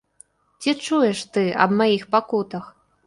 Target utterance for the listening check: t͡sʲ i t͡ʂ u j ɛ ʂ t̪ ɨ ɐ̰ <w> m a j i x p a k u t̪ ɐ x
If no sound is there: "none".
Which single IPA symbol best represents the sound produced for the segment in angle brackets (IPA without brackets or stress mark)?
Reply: b